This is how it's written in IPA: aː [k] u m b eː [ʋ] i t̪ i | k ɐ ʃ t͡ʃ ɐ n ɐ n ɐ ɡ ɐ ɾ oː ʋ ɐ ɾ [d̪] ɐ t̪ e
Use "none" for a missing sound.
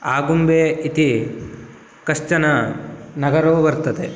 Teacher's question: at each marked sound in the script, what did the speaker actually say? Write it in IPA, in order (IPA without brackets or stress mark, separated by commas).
ɡ, none, t̪